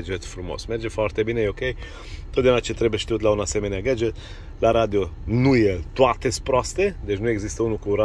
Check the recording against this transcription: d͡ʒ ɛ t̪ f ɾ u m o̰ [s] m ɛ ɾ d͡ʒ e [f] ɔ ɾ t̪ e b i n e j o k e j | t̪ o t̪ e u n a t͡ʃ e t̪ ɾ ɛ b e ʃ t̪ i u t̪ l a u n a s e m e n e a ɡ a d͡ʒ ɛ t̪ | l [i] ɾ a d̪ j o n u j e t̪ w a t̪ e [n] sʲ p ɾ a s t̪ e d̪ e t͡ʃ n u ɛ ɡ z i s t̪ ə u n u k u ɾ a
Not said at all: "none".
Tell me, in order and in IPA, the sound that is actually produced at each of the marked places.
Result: s, f, a, none

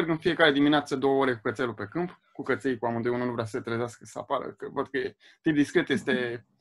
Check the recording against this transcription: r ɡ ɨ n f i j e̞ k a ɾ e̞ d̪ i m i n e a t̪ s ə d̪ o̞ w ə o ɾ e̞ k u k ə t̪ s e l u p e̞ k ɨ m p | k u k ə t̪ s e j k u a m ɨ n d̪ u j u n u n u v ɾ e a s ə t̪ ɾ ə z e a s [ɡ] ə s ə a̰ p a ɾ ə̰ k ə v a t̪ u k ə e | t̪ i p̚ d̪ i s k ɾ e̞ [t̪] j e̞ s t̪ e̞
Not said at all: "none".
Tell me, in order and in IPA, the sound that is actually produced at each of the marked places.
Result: k, t̪

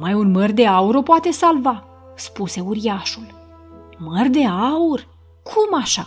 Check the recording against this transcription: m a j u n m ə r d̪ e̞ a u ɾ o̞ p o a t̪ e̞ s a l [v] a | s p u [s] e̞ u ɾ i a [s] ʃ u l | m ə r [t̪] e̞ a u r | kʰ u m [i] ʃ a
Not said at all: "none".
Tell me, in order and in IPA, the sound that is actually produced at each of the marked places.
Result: v, s, none, d̪, a

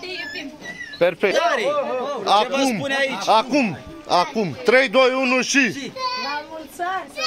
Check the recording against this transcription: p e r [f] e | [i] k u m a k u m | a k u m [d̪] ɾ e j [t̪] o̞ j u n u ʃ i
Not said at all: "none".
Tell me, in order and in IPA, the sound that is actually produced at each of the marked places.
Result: f, a, t̪, d̪

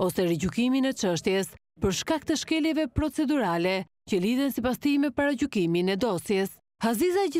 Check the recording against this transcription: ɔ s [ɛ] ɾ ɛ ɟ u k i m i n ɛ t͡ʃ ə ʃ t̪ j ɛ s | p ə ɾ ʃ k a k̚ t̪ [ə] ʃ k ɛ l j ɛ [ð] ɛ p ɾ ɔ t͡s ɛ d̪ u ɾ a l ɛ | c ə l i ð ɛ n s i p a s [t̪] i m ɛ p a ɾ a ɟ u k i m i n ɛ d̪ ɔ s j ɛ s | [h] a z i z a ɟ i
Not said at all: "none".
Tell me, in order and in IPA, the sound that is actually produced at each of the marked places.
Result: ɛ, ə, v, t̪, h

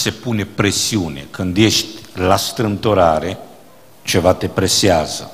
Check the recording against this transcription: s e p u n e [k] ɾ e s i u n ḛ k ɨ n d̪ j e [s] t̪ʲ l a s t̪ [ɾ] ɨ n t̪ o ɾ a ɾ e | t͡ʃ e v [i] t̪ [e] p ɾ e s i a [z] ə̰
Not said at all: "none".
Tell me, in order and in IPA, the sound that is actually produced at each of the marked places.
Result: p, ʃ, ɾ, a, e, z

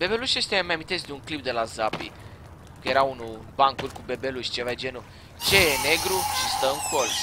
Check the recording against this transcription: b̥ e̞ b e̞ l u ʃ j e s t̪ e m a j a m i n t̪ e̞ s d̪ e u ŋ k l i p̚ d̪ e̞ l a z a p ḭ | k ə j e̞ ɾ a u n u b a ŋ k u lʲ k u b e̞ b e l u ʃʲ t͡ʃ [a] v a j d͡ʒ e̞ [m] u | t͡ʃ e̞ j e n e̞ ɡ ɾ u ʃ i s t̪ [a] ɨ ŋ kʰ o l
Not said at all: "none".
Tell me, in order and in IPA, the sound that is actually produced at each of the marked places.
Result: e, n, ə

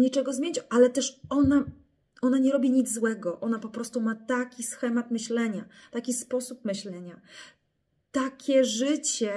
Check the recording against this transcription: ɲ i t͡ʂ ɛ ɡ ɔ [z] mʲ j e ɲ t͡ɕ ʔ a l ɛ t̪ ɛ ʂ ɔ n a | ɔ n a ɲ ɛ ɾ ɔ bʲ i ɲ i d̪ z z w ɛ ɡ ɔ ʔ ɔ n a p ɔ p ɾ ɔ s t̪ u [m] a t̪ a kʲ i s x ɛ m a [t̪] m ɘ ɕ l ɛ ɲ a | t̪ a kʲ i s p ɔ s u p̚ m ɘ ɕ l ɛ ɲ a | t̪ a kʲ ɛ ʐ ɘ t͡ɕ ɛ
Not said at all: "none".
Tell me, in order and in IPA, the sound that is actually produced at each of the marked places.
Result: z, m, t̪

